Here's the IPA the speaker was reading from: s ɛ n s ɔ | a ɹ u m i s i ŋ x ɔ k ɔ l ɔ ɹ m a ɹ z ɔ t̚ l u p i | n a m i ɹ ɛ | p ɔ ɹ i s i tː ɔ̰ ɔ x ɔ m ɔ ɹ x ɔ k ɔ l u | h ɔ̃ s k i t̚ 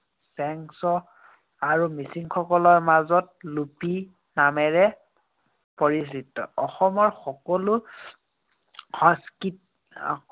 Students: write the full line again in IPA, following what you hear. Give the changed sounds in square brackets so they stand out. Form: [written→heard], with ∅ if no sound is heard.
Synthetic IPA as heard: s ɛ [n→ŋ] s ɔ | a ɹ u m i s i ŋ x ɔ k ɔ l ɔ ɹ m a [ɹ→∅] z ɔ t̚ l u p i | n a m [i→ɛ] ɹ ɛ | p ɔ ɹ i s i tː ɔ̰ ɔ x ɔ m ɔ ɹ x ɔ k ɔ l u | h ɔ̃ s k i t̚

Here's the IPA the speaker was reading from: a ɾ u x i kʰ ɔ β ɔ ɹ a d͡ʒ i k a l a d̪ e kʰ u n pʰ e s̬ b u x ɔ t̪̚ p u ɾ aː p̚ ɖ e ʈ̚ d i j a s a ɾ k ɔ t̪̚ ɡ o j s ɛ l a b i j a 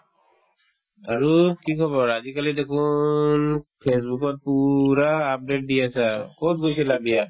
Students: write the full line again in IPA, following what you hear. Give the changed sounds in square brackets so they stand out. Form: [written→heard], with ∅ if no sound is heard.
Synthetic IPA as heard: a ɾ u [x→k] i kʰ ɔ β ɔ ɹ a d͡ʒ i k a l [a→i] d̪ e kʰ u n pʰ e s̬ b u [x→k] ɔ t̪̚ p u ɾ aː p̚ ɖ e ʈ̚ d i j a s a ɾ k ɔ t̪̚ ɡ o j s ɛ l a b i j a

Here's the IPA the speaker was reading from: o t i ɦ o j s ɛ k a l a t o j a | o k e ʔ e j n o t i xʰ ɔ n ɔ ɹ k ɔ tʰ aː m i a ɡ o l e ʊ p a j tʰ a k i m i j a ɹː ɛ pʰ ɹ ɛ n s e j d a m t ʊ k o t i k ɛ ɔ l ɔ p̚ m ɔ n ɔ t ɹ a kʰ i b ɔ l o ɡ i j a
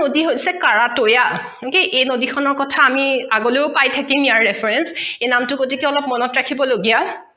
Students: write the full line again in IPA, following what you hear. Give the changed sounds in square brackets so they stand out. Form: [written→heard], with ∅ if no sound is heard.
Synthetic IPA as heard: o [t→d] i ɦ o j s ɛ k a [l→ɹ] a t o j a | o k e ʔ e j n o [t→d] i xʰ ɔ n ɔ ɹ k ɔ tʰ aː m i a ɡ o l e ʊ p a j tʰ a k i m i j a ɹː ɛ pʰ ɹ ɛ n s e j [d→n] a m t ʊ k o t i k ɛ ɔ l ɔ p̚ m ɔ n ɔ t ɹ a kʰ i b ɔ l o ɡ i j a

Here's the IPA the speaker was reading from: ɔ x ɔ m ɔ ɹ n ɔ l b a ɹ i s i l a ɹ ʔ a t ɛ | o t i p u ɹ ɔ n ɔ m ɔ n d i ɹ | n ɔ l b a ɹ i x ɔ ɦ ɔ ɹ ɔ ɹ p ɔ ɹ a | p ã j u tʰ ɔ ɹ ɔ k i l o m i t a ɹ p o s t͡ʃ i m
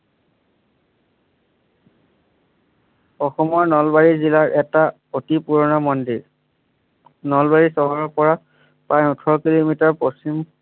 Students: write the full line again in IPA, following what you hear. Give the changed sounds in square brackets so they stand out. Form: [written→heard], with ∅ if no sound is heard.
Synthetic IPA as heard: ɔ x ɔ m ɔ ɹ n ɔ l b a ɹ i [s→z] i l a ɹ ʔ [a→ɛ] t [ɛ→a] | o t i p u ɹ ɔ n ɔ m ɔ n d i ɹ | n ɔ l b a ɹ i [x→s] ɔ ɦ ɔ ɹ ɔ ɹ p ɔ ɹ a | p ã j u tʰ ɔ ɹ ɔ k i l o m i t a ɹ p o s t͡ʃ i m

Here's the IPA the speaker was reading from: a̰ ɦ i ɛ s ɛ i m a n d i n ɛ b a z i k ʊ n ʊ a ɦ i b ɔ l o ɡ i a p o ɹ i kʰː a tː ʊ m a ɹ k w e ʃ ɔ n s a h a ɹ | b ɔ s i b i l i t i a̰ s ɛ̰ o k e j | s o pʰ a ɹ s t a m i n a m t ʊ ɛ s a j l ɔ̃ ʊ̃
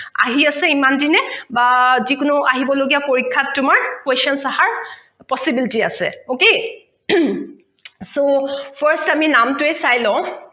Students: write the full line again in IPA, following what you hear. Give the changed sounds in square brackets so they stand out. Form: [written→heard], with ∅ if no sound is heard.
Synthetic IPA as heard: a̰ ɦ i [ɛ→a] s ɛ i m a n d i n ɛ b a z i k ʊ n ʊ a ɦ i b ɔ l o ɡ i a p o ɹ i kʰː a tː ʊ m a ɹ k w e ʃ ɔ n s a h a ɹ | [b→p] ɔ s i b i l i t i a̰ s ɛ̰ o k e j | s o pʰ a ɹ s t a m i n a m t ʊ ɛ s a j l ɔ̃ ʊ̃

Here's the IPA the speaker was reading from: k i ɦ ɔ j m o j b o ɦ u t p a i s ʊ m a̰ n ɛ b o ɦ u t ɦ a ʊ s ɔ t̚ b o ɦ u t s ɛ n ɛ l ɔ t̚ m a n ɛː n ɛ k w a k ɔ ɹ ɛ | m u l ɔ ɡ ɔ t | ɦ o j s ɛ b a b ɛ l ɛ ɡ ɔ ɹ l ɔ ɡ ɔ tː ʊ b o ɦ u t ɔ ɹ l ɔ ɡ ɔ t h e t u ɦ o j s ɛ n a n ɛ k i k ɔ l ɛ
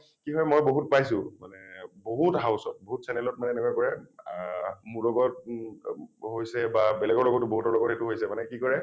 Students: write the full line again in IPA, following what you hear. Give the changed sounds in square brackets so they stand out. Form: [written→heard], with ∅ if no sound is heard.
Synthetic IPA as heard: k i ɦ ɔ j m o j b o ɦ u t p a [i→j] s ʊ m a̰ n ɛ b o ɦ u t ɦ a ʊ s ɔ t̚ b o ɦ u t s ɛ n ɛ l ɔ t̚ m a n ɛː n ɛ k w a k ɔ ɹ ɛ | m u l ɔ ɡ ɔ t | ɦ o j s ɛ b a b ɛ l ɛ ɡ ɔ ɹ l ɔ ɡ ɔ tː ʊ b o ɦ u t ɔ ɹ l ɔ ɡ ɔ t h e t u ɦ o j s ɛ [n→m] a n ɛ k i k ɔ [l→ɹ] ɛ

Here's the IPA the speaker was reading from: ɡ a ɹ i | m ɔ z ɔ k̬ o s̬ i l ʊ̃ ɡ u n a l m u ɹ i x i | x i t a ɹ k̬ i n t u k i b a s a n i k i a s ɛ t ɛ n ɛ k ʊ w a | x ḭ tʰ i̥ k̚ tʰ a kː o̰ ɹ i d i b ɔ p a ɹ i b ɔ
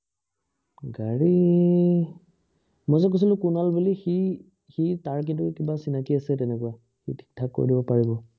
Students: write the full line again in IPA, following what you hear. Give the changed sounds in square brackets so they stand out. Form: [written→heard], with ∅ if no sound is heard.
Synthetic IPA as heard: ɡ a ɹ i | m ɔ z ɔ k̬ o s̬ i l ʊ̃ [ɡ→k] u n a l [m→b] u [ɹ→l] i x i | x i t a ɹ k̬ i n t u k i b a s [a→i] n [i→a] k i a s ɛ t ɛ n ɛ k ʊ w a | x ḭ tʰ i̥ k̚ tʰ a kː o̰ ɹ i d i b ɔ p a ɹ i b ɔ

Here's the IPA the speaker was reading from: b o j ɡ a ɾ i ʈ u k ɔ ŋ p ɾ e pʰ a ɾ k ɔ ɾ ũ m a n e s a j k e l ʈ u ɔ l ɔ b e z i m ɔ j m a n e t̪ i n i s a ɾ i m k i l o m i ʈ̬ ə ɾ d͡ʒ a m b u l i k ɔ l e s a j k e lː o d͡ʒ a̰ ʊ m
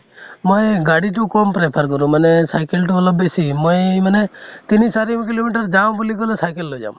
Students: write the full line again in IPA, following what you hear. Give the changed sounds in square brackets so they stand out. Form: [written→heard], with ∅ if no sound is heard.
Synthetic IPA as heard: [b→m] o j ɡ a [ɾ→ɽ] i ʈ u k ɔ [ŋ→m] p ɾ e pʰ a ɾ k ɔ ɾ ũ m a n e s a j k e l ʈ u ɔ l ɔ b e [z→s] i m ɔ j m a n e t̪ i n i s a ɾ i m k i l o m i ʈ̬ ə ɾ d͡ʒ a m b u l i k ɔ l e s a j k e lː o d͡ʒ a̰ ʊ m

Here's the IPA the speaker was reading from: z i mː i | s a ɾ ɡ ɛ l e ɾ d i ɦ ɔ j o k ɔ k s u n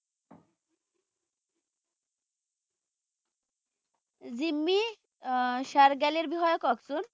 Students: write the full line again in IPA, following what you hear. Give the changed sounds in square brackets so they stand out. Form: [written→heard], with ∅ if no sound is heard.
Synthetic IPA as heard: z i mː i | [s→ʃ] a ɾ ɡ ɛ l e ɾ [d→b] i ɦ ɔ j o k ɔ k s u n

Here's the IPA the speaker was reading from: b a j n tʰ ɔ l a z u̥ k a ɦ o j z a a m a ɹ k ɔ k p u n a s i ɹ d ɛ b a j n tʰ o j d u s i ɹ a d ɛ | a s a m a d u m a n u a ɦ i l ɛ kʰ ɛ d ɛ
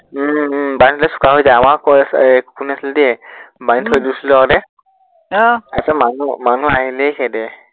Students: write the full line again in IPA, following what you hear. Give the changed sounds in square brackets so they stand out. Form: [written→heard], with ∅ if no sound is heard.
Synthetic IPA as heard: b a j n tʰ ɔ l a [z→s] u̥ k a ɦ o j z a a m a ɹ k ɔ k [p→k] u n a s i [ɹ→l] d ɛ b a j n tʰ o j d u s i [ɹ→l] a d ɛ | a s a m a [d→n] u m a n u a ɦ i l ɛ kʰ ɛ d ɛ

